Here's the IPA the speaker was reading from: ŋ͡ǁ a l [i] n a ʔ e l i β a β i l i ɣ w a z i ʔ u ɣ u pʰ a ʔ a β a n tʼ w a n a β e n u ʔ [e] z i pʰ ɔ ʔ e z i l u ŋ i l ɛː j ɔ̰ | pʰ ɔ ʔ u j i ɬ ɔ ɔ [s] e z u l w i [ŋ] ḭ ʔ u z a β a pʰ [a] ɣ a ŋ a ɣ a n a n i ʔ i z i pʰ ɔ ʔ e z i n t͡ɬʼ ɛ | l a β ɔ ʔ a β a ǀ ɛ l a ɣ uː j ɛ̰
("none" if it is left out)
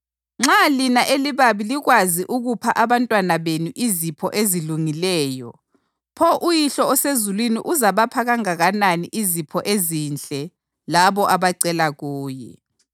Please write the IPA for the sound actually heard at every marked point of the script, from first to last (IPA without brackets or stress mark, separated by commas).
i, i, s, n, a